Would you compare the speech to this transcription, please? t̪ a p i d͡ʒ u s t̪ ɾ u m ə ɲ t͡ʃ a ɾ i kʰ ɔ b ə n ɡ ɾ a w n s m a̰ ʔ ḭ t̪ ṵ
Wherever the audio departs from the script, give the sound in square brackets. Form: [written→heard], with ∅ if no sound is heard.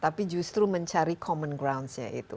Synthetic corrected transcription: t̪ a p i d͡ʒ u s t̪ ɾ u m ə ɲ t͡ʃ a ɾ i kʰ ɔ [b→m] ə n ɡ ɾ a w n s [m→ɲ] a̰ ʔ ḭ t̪ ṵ